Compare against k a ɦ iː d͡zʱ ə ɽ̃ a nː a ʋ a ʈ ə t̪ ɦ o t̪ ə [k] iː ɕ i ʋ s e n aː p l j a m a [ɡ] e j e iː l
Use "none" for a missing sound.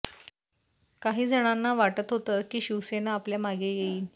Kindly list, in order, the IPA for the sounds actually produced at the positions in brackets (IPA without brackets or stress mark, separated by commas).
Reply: k, ɡ